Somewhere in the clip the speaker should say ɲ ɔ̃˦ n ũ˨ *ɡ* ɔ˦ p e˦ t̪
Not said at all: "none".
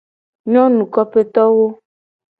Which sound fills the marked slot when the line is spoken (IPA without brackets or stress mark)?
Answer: k